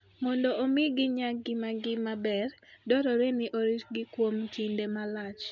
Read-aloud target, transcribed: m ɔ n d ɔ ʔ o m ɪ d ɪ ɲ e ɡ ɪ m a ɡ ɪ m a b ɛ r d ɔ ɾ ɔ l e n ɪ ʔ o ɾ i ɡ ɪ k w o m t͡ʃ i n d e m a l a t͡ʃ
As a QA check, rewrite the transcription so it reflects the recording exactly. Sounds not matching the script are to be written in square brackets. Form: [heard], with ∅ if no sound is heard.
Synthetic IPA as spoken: m ɔ n d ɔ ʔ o m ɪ [ɡ] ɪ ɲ [a] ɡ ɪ m a ɡ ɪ m a b ɛ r d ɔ ɾ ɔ [ɾ] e n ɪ ʔ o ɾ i ɡ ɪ k w o m t͡ʃ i n d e m a l a t͡ʃ